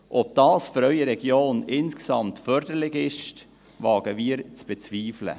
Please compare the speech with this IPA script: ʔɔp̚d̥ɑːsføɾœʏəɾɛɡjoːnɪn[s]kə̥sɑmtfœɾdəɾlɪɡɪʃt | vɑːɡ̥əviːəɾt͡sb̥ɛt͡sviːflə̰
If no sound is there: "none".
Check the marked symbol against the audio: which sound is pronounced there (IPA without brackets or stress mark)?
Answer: s